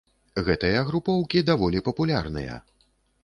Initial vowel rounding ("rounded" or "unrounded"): unrounded